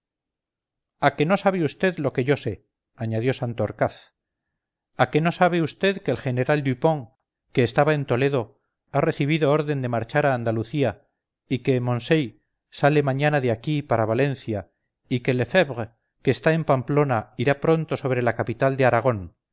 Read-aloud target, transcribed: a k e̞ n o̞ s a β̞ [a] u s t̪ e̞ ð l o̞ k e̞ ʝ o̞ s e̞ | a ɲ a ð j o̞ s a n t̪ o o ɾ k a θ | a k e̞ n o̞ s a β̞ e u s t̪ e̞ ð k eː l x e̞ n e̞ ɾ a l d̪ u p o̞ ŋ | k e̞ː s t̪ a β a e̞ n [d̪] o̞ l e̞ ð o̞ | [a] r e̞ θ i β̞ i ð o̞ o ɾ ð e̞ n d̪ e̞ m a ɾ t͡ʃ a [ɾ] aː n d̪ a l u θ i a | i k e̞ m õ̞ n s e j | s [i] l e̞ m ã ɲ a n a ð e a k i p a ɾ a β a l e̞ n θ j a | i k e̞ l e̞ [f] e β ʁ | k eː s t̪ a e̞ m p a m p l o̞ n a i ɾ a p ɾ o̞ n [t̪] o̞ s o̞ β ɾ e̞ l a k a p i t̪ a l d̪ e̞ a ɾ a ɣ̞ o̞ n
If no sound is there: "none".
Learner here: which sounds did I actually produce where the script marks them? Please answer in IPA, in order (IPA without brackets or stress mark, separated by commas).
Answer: e, t̪, a, ɾ, a, f, t̪